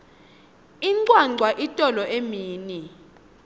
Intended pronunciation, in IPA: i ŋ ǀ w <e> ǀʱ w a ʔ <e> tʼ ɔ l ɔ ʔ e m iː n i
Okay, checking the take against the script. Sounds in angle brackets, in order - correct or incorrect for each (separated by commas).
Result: incorrect, incorrect